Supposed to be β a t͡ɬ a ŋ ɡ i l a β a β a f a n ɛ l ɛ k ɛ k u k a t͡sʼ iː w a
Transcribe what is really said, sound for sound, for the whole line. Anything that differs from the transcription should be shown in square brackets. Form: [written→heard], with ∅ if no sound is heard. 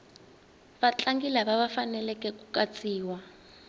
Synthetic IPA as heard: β a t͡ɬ a ŋ ɡ i l a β a β a f a n ɛ l ɛ k ɛ k u k a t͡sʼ iː w a